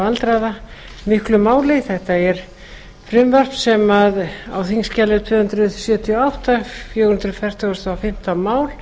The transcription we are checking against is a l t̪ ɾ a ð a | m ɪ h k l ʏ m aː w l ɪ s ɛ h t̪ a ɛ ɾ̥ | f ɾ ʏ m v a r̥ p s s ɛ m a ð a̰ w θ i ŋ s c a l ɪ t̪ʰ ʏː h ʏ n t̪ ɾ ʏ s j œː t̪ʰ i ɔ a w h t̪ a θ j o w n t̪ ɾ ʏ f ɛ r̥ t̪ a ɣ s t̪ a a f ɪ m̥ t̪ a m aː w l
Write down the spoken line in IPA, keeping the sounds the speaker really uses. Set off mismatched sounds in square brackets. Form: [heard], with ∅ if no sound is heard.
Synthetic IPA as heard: a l t̪ ɾ a ð a | m ɪ h k l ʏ m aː w l ɪ [θ] ɛ h t̪ a ɛ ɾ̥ | f ɾ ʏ m v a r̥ p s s ɛ m a ð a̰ w θ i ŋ s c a l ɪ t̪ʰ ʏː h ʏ n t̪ ɾ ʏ s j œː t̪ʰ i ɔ a w h t̪ a [f] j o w n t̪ ɾ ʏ f ɛ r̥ t̪ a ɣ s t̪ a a f ɪ m̥ t̪ a m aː w l